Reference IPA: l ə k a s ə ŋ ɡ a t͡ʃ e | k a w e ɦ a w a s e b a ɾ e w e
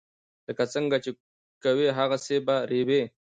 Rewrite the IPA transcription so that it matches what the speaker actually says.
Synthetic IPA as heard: l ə k a t͡s ə ŋ ɡ a t͡ʃ e | k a w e ɦ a ɣ a s e b a ɾ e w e